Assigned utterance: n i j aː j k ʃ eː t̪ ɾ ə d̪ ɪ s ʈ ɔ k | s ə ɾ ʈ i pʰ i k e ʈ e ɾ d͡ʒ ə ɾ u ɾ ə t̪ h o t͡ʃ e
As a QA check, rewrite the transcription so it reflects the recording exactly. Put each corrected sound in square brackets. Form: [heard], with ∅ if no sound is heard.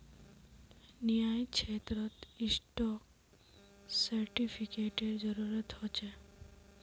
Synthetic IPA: n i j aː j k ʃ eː t̪ ɾ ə [t̪] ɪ s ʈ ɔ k | s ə ɾ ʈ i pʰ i k e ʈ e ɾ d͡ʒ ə ɾ u ɾ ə t̪ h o t͡ʃ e